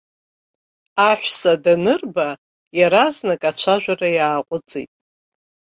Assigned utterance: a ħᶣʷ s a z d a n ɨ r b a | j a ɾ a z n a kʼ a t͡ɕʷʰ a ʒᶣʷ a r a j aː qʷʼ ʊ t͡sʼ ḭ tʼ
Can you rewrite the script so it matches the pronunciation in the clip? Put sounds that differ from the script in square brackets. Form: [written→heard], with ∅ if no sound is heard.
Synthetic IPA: a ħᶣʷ s a [z→∅] d a n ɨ r b a | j a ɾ a z n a kʼ a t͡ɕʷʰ a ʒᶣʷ a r a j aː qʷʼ ʊ t͡sʼ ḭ tʼ